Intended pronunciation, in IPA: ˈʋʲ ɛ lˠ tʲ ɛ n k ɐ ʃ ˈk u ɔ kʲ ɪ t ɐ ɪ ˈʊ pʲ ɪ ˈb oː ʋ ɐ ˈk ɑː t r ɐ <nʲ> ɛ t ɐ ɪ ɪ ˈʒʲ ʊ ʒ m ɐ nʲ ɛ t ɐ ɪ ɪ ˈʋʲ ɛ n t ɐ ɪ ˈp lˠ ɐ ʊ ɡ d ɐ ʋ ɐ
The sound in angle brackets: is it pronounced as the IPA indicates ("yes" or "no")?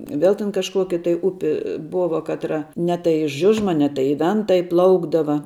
yes